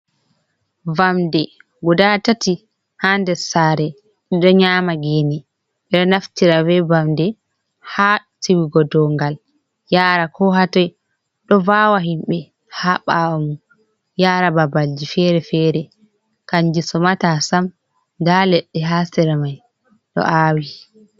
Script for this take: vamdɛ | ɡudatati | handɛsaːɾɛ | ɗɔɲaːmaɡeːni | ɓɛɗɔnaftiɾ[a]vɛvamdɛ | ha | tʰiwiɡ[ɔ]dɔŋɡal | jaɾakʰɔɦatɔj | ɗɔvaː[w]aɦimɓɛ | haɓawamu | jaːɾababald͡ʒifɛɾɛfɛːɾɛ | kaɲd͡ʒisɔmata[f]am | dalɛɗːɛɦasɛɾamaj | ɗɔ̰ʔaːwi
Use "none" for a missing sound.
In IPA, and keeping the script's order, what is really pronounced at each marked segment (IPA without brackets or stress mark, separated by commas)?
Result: a, ɔ, w, s